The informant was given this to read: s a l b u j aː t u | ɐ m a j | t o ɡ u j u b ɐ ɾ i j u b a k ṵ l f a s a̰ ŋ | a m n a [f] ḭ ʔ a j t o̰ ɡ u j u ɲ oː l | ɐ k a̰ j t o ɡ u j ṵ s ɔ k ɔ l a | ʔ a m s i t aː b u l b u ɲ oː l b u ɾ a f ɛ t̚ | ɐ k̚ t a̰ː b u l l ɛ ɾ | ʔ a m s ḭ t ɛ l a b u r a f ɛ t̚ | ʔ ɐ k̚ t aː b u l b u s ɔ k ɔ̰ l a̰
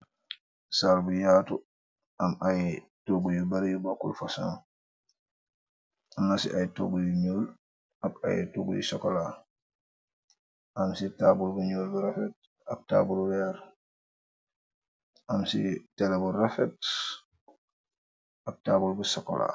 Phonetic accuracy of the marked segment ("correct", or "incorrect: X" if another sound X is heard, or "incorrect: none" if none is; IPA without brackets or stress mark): incorrect: s